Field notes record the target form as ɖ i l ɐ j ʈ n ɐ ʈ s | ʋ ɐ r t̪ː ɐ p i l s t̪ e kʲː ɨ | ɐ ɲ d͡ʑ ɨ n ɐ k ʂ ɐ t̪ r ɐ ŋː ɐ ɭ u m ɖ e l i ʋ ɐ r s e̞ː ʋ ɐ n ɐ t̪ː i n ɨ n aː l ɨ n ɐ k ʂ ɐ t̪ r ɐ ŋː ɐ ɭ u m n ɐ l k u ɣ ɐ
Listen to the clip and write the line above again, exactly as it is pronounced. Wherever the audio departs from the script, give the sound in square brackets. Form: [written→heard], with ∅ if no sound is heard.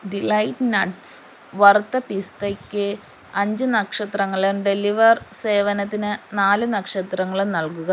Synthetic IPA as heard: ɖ i l ɐ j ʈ n ɐ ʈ s | ʋ ɐ r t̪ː ɐ p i [l→∅] s t̪ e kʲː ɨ | ɐ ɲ d͡ʑ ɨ n ɐ k ʂ ɐ t̪ r ɐ ŋː ɐ ɭ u m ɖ e l i ʋ ɐ r s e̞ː ʋ ɐ n ɐ t̪ː i n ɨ n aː l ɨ n ɐ k ʂ ɐ t̪ r ɐ ŋː ɐ ɭ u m n ɐ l k u ɣ ɐ

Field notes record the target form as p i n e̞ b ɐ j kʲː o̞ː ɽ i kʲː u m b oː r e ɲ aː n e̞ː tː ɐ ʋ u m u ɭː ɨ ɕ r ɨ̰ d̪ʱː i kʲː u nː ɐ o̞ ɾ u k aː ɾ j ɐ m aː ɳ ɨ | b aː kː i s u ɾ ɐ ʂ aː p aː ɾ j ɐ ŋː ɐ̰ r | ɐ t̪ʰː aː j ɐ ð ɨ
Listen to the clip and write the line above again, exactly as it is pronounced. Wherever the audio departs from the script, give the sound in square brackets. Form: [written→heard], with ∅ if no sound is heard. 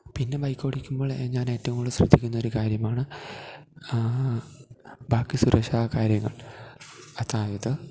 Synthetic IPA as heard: p i [n→nː] e̞ b ɐ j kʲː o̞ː ɽ i kʲː u m b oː [r→ɭ] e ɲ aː n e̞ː tː ɐ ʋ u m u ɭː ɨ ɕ r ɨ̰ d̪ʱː i kʲː u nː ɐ o̞ ɾ u k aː ɾ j ɐ m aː ɳ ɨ | b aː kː i s u ɾ ɐ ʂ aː [p→k] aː ɾ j ɐ ŋː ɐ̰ [r→ɭ] | ɐ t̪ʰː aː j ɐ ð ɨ

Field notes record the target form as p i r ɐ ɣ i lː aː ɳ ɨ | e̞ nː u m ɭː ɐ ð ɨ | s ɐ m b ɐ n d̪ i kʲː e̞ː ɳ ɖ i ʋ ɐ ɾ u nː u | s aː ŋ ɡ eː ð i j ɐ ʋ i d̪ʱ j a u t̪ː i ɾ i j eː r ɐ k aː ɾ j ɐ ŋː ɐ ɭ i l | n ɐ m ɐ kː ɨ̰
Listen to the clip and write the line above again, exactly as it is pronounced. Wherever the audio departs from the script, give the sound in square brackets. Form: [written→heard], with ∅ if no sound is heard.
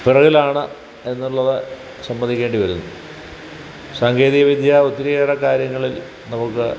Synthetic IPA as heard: p i r ɐ ɣ i [lː→l] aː ɳ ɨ | e̞ nː u [m→∅] ɭː ɐ ð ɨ | s ɐ m b ɐ n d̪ i kʲː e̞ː ɳ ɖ i ʋ ɐ ɾ u nː u | s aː ŋ ɡ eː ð i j ɐ ʋ i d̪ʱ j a u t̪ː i ɾ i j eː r ɐ k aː ɾ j ɐ ŋː ɐ ɭ i l | n ɐ m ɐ kː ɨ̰

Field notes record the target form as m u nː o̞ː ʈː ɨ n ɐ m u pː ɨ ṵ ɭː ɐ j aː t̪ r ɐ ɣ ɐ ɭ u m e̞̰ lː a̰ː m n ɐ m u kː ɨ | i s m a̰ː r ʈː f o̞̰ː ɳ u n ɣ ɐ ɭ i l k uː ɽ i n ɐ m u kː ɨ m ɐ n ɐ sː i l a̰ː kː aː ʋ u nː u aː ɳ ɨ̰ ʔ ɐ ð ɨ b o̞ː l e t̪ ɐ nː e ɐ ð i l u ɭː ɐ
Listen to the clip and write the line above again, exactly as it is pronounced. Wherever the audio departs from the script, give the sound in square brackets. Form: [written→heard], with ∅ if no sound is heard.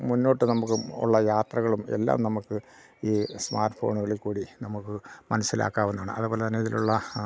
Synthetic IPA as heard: m u nː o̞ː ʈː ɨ n ɐ m u [pː→kː] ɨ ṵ ɭː ɐ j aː t̪ r ɐ ɣ ɐ ɭ u m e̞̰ lː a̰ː m n ɐ m u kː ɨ | [i→iː] s m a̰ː r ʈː f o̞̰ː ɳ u [n→∅] ɣ ɐ ɭ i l k uː ɽ i n ɐ m u kː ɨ m ɐ n ɐ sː i l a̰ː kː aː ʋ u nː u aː ɳ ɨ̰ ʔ ɐ ð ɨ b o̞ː l e t̪ ɐ nː e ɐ ð i l u ɭː ɐ

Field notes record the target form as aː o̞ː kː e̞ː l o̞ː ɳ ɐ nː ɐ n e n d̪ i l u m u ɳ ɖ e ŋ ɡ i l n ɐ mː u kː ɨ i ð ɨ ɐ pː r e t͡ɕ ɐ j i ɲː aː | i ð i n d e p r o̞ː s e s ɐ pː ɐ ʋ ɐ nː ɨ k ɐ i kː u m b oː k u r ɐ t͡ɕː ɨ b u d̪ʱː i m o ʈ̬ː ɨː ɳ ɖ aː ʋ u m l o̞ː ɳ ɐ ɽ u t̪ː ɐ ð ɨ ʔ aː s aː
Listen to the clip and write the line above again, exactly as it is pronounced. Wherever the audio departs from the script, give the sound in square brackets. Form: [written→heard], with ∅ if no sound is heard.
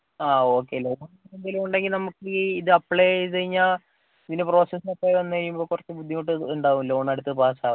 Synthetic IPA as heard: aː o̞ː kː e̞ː l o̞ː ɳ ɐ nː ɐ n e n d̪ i l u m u ɳ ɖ e ŋ ɡ i l n ɐ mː u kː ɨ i ð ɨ ɐ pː [r→ɭ] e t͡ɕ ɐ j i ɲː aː | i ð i n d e p r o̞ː s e s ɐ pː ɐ ʋ ɐ nː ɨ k ɐ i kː u m b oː k u r ɐ t͡ɕː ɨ b u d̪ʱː i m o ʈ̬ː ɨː ɳ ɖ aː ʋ u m l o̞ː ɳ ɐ ɽ u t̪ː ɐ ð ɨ [ʔ→p] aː s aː

